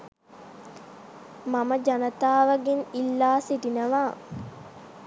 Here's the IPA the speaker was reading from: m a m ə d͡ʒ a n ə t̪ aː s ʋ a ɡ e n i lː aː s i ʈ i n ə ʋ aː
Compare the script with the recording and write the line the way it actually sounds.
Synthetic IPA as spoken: m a m ə d͡ʒ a n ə t̪ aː ʋ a ɡ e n i lː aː s i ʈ i n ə ʋ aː